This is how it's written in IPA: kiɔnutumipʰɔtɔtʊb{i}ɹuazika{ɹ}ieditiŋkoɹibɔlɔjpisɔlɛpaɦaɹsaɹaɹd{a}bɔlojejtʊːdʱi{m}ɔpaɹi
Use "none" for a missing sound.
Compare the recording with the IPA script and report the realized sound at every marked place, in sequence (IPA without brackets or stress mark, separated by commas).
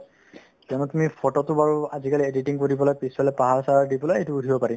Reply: a, l, i, b